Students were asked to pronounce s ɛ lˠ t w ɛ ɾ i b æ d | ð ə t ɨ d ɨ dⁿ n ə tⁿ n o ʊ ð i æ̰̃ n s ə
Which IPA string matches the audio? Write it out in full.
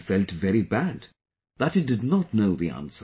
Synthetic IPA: f ɛ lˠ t v ɛ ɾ i b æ d | ð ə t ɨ d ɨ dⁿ n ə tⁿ n o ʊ ð i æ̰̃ n s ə